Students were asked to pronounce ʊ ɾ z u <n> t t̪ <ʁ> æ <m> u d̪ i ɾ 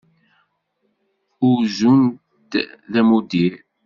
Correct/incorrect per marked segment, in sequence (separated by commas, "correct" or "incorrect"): correct, incorrect, correct